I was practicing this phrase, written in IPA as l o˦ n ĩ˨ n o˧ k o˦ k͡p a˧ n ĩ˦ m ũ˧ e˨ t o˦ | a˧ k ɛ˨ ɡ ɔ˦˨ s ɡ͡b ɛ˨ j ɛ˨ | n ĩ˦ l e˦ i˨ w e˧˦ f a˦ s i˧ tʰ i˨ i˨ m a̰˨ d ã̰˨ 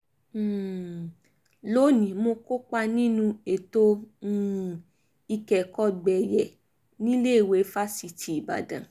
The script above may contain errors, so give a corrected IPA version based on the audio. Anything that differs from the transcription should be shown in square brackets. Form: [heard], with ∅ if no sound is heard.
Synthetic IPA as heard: l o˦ n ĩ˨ [m] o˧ k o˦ k͡p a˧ n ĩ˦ [n] ũ˧ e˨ t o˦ | [i˧] k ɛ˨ [k] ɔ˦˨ [∅] ɡ͡b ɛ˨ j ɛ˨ | n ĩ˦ l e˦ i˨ w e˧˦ f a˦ s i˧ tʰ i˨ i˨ [b] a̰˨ d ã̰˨